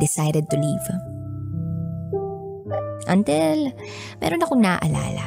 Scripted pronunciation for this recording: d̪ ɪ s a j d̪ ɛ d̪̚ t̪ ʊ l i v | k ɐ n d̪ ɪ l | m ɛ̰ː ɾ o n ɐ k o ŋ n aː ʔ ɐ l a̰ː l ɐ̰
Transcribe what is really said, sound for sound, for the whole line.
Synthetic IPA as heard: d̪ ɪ s a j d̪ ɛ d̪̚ t̪ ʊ l i v | ʔ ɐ n t̪ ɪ l | m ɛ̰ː ɾ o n ɐ k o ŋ n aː ʔ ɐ l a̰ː l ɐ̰